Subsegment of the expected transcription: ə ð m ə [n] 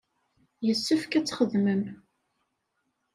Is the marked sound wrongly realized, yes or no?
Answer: yes